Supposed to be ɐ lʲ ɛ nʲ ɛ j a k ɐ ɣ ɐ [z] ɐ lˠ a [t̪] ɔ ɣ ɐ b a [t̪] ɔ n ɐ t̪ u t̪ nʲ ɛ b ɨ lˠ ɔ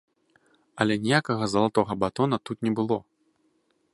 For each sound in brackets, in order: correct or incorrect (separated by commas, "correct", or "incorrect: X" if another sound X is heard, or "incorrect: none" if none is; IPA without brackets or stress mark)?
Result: correct, correct, correct